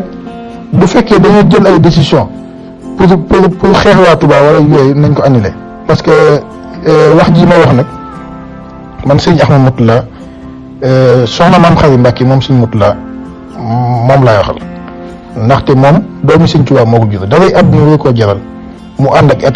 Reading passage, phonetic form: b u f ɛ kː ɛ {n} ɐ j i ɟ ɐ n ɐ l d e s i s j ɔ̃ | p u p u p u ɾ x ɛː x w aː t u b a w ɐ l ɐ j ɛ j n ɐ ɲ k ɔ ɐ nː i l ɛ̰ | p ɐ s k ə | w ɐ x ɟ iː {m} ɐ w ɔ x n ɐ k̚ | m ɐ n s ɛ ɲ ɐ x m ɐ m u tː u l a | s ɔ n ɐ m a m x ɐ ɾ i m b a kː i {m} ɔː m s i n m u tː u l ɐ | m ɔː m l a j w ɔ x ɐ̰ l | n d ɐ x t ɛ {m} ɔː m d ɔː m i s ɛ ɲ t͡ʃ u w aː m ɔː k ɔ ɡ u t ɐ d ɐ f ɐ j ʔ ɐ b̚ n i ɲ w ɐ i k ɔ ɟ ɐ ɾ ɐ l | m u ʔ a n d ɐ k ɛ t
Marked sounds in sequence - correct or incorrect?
incorrect: d, correct, correct, correct

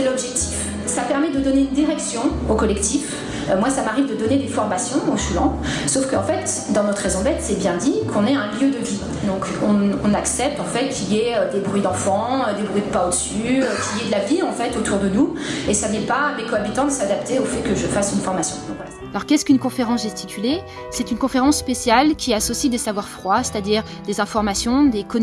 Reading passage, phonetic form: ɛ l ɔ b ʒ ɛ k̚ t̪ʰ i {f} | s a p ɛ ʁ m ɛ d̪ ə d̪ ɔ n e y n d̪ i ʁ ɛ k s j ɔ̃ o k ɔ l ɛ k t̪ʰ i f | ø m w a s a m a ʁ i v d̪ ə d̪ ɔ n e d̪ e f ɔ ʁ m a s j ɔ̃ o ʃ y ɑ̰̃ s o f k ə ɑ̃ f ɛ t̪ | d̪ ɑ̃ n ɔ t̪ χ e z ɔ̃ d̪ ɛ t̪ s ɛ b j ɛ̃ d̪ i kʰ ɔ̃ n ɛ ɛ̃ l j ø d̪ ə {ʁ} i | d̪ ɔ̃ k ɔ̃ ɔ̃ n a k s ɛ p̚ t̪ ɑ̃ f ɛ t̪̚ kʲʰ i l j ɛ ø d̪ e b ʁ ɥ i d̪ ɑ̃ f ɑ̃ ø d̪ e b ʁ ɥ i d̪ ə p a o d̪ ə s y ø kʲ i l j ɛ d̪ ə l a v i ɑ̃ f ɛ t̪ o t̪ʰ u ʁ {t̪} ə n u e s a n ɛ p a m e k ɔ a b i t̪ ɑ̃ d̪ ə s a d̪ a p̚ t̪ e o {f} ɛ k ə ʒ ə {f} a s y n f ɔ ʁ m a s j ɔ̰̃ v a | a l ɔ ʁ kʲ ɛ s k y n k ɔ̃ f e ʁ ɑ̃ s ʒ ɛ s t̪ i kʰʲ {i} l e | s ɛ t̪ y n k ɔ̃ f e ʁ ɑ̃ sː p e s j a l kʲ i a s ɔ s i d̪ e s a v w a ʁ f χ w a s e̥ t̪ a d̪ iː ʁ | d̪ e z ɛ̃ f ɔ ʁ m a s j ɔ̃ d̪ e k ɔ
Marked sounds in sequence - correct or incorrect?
correct, incorrect: v, incorrect: d̪, correct, correct, incorrect: y

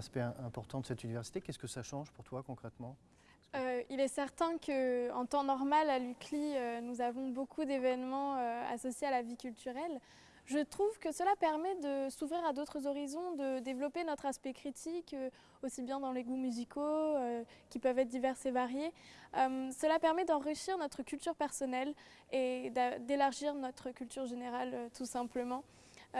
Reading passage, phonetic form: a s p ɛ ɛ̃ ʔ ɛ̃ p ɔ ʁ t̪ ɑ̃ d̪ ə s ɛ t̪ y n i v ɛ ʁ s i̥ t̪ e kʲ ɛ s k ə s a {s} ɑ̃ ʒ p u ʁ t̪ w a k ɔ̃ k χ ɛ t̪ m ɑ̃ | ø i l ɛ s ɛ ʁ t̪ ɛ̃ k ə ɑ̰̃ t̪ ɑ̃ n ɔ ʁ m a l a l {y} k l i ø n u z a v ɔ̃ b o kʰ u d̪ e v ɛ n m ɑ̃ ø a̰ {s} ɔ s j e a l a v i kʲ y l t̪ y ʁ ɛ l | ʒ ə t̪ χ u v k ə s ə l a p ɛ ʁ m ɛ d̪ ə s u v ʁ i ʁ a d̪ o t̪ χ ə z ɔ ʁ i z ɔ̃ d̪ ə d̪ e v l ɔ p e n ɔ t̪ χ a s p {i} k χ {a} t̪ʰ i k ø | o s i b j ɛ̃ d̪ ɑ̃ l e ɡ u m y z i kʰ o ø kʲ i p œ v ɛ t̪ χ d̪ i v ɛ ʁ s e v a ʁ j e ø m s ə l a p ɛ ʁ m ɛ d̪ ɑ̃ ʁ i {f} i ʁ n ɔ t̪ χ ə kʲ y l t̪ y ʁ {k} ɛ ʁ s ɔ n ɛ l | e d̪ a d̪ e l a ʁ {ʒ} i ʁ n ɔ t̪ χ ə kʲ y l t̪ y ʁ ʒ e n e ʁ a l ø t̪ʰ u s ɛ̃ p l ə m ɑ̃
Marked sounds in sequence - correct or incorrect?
incorrect: ʃ, correct, correct, incorrect: ɛ, incorrect: i, incorrect: ʃ, incorrect: p, correct

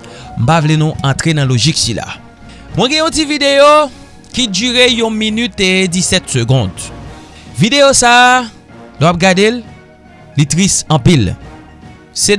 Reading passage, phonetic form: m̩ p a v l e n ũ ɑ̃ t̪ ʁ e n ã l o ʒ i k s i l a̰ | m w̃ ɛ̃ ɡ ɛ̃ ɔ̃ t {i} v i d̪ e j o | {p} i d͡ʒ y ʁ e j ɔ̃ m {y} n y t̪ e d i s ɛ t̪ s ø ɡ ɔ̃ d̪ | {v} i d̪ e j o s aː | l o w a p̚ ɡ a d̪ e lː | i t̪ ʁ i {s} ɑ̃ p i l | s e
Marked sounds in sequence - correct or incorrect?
correct, incorrect: k, incorrect: i, correct, correct

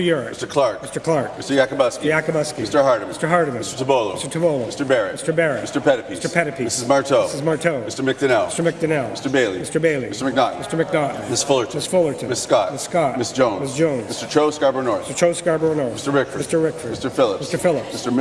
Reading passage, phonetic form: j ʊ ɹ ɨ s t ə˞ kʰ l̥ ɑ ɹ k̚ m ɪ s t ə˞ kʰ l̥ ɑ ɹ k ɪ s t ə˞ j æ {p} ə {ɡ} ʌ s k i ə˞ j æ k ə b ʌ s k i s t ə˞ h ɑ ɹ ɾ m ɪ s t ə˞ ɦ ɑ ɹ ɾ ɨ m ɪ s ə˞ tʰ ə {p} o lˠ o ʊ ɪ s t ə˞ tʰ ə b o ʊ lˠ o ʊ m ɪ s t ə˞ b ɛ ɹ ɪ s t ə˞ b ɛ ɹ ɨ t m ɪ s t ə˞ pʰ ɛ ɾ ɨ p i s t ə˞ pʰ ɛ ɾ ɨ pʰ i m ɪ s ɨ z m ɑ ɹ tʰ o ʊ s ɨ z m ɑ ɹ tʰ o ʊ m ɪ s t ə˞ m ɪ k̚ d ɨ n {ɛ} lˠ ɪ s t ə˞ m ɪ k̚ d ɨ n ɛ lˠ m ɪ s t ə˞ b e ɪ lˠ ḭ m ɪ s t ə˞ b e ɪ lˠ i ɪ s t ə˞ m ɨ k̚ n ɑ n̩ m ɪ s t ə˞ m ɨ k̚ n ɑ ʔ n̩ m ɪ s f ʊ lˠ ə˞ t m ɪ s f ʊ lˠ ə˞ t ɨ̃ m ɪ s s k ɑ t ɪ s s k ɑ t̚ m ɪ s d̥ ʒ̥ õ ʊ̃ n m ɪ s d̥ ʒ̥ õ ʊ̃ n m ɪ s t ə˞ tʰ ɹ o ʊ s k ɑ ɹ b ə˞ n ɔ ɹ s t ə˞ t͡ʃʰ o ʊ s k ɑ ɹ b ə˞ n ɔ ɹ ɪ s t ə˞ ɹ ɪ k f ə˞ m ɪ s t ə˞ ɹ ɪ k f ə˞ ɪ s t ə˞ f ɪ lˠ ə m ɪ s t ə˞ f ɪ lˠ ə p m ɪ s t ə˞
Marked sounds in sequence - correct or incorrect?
incorrect: k, incorrect: b, incorrect: b, correct

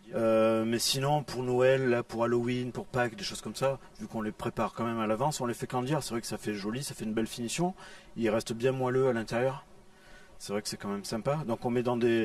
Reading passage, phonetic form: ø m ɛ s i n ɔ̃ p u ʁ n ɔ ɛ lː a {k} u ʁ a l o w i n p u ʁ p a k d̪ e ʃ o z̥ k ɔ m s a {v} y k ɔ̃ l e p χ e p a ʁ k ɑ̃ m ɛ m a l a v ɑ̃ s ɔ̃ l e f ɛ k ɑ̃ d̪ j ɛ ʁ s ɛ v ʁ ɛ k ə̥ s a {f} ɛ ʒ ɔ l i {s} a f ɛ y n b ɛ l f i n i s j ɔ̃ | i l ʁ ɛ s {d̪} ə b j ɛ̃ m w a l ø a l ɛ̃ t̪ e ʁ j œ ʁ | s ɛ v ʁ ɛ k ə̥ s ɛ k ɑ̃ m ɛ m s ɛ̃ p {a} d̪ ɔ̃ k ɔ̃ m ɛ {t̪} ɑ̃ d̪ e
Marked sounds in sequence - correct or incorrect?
incorrect: p, correct, correct, correct, incorrect: t̪, correct, incorrect: d̪

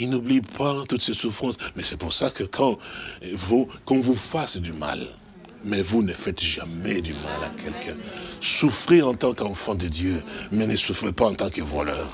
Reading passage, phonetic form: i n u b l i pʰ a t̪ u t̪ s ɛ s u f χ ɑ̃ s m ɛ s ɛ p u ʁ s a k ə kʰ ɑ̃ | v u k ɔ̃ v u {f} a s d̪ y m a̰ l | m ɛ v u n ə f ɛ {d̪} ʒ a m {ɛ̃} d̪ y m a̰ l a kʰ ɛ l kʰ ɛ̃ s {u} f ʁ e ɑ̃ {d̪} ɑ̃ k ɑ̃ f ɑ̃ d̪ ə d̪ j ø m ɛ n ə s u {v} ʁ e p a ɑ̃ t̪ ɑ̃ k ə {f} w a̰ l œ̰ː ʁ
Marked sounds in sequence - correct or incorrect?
correct, incorrect: t̪, incorrect: ɛ, correct, incorrect: t̪, incorrect: f, incorrect: v

